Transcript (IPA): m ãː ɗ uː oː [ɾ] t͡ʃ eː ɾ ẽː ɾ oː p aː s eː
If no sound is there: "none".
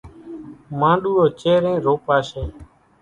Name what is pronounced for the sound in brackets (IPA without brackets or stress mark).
none